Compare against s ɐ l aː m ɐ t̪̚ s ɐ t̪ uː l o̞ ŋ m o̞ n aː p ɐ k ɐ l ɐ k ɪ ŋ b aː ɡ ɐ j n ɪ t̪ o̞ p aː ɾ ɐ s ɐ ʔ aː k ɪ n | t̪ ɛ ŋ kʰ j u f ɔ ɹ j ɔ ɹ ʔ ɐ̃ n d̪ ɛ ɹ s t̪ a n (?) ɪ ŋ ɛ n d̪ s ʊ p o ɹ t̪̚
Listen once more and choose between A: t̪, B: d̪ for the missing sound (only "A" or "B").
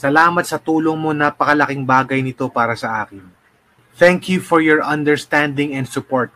B